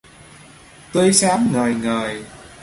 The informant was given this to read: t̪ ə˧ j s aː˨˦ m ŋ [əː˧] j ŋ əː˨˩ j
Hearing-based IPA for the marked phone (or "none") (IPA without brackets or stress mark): əː˨˩